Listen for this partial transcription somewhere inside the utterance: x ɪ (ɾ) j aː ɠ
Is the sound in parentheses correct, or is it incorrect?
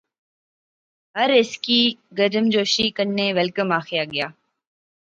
incorrect